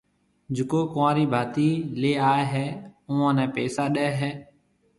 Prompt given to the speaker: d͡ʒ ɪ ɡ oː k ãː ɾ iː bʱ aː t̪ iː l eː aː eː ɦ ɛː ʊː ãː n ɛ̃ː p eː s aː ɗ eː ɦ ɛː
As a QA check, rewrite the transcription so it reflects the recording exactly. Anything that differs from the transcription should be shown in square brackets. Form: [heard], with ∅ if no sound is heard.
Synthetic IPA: d͡ʒ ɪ [k] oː k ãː ɾ iː bʱ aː t̪ iː l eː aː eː ɦ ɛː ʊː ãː n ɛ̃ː p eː s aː ɗ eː ɦ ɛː